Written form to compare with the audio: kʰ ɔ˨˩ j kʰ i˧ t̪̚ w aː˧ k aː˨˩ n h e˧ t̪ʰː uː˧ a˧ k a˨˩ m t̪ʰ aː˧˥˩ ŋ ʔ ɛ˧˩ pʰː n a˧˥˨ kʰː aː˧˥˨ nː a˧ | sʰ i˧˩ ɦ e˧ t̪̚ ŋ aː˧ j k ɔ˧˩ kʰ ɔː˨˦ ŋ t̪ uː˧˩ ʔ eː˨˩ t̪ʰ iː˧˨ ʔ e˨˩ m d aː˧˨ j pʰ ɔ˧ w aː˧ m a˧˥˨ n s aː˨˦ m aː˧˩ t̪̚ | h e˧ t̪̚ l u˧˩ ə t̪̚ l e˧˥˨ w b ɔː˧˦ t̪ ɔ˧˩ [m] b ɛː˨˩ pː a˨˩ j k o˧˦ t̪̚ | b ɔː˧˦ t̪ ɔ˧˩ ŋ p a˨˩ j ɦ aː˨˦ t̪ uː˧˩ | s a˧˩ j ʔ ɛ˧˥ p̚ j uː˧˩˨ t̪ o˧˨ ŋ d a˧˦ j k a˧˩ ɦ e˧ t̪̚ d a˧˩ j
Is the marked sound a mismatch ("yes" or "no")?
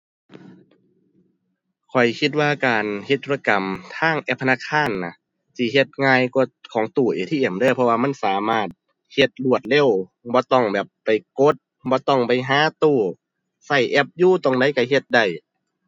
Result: yes